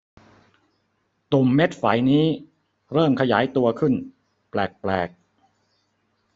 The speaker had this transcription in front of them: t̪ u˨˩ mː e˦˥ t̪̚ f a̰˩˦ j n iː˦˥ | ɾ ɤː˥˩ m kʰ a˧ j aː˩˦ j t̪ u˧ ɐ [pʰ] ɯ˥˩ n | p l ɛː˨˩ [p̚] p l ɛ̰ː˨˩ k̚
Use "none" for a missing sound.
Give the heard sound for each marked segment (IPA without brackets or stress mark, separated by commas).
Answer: kʰ, k̚